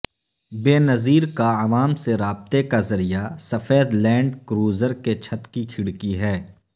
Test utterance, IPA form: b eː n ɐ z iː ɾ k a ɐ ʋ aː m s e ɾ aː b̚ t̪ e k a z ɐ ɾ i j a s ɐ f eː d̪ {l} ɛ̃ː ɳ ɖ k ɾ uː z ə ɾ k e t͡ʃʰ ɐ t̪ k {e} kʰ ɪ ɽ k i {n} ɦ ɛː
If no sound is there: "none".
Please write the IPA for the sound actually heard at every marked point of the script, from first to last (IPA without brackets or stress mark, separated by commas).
l, i, none